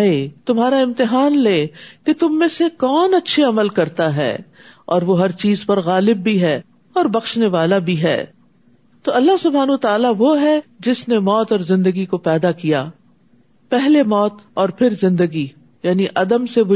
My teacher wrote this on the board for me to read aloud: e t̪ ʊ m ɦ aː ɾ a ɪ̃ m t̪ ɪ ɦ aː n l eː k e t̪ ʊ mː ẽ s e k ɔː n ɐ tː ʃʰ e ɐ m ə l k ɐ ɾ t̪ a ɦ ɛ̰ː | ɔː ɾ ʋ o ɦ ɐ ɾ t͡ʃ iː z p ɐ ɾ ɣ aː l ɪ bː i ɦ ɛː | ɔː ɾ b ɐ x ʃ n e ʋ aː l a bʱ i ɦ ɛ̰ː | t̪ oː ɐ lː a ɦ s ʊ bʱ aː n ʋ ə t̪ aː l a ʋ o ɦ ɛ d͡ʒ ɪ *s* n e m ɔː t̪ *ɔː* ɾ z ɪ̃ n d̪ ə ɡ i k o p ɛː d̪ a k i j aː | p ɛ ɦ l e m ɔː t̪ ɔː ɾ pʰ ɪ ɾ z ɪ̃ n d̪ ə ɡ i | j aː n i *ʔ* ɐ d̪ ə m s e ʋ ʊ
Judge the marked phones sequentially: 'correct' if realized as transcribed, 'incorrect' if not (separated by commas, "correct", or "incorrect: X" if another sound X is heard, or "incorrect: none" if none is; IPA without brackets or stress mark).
correct, correct, correct